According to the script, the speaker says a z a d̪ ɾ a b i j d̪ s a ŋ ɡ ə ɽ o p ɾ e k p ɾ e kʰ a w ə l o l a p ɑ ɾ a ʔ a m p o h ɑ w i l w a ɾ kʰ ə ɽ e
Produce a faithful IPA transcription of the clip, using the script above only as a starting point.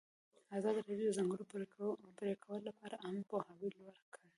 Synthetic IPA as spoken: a z ɑ d̪ ɾ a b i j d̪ z a ŋ ɡ ə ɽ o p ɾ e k p ɾ e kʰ a w ə l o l a p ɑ ɾ a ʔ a m p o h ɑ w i l w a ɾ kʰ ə ɽ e